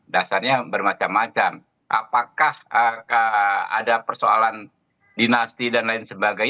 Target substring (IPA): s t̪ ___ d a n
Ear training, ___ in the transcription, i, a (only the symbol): i